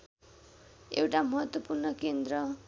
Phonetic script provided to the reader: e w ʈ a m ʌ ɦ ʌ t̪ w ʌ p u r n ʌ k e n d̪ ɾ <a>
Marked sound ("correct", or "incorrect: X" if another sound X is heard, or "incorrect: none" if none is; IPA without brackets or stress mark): incorrect: ʌ